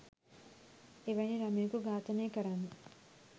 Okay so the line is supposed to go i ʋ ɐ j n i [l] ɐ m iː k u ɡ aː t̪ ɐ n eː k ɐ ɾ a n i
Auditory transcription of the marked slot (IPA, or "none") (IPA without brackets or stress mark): ɾ